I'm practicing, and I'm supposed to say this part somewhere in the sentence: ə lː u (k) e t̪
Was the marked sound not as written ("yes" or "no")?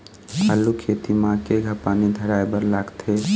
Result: yes